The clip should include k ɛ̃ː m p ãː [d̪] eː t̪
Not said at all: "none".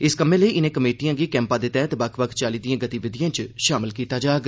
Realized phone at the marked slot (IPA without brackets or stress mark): d̪